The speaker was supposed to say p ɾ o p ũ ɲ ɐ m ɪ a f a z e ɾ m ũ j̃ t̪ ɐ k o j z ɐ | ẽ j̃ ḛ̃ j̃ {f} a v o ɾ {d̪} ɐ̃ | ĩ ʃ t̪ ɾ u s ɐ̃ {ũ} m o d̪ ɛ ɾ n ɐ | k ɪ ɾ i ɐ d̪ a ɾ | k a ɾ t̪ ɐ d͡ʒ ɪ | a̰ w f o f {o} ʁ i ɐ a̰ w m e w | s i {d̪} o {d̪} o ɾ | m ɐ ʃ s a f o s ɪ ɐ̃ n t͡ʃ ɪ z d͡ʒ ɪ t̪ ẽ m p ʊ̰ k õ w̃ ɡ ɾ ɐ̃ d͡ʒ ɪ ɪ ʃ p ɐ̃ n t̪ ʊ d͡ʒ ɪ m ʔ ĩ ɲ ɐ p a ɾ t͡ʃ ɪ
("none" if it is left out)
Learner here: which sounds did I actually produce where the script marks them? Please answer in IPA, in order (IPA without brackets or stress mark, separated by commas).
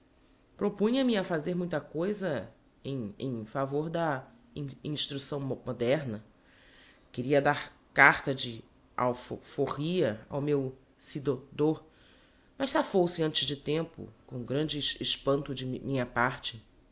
f, d̪, w̃, o, d̪, d̪